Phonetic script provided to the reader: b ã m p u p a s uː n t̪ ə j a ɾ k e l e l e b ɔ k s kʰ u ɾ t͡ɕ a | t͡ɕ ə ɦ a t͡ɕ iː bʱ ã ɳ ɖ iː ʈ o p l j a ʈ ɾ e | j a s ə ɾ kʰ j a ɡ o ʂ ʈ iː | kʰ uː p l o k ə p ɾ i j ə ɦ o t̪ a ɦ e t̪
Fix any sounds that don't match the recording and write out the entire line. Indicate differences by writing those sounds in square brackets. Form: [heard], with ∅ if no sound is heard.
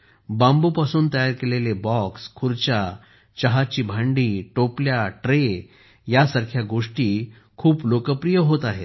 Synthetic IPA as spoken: b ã m [b] u p a s uː n t̪ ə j a ɾ k e l e l e b ɔ k s kʰ u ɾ t͡ɕ a | t͡ɕ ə ɦ a t͡ɕ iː bʱ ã ɳ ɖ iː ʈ o p l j a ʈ ɾ e | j a s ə ɾ kʰ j a ɡ o ʂ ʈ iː | kʰ uː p l o k ə p ɾ i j ə ɦ o t̪ a ɦ e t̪